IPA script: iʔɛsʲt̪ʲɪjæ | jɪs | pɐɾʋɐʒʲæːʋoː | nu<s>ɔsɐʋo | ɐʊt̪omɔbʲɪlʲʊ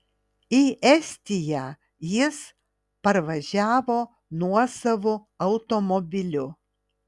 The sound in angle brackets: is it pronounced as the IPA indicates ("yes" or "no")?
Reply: no